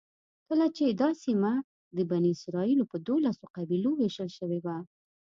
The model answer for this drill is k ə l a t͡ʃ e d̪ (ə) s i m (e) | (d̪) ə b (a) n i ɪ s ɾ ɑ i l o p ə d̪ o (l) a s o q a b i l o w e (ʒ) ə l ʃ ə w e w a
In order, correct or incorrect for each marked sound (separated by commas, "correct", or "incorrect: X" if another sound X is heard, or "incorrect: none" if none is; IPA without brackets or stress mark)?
incorrect: ɑ, incorrect: a, correct, correct, correct, incorrect: ʃ